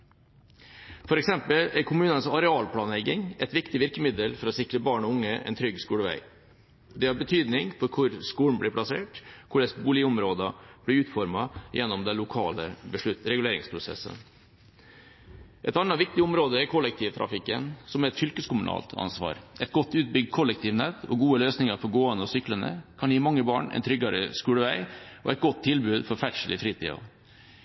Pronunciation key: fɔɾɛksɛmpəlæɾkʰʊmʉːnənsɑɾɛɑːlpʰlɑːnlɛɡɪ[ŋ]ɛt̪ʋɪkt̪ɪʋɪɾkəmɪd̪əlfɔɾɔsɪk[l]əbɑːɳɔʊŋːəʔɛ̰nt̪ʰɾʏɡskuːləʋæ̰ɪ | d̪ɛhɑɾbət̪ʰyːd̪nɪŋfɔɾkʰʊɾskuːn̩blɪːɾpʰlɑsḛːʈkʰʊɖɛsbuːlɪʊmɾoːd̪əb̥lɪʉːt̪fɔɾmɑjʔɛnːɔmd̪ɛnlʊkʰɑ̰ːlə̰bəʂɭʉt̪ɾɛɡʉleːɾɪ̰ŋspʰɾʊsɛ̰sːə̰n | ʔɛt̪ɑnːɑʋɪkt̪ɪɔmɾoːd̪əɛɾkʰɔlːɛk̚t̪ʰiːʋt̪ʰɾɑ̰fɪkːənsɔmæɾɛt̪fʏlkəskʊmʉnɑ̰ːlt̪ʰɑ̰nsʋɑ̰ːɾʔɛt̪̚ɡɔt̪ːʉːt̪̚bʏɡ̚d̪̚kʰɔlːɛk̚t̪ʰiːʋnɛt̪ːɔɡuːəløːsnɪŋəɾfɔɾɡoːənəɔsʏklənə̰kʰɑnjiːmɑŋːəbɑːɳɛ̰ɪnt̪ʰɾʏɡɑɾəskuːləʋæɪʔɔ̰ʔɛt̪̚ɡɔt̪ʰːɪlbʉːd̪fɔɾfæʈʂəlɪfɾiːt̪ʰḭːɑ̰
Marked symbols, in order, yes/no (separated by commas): yes, no